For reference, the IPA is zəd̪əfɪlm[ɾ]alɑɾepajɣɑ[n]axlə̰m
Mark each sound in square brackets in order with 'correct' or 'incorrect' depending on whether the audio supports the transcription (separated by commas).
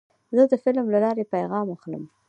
incorrect, incorrect